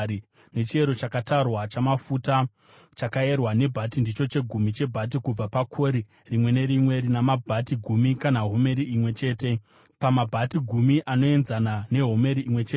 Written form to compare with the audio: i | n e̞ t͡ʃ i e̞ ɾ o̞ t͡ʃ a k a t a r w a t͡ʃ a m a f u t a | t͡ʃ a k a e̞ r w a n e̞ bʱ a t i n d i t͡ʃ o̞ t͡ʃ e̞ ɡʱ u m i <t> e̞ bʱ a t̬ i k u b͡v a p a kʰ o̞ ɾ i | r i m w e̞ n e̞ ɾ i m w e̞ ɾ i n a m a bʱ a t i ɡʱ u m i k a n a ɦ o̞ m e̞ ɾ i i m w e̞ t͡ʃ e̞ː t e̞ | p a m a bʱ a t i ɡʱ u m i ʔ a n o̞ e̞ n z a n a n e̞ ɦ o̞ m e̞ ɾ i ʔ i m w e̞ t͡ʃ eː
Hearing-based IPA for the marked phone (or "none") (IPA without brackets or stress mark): t͡ʃ